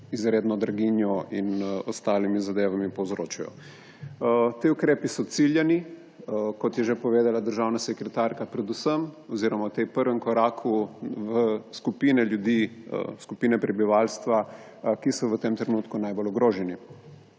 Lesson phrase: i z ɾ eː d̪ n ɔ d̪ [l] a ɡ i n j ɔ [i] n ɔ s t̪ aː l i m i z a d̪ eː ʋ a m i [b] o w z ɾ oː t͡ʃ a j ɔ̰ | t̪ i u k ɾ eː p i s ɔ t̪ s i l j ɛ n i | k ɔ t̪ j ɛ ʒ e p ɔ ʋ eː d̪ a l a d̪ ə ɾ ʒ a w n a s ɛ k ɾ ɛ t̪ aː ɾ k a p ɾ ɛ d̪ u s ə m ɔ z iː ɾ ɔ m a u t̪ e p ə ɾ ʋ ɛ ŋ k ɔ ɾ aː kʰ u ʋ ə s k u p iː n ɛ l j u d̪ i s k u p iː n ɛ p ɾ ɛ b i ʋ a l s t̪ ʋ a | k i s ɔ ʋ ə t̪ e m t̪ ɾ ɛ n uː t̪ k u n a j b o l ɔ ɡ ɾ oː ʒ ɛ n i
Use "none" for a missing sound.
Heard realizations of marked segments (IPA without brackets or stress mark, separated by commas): ɾ, i, p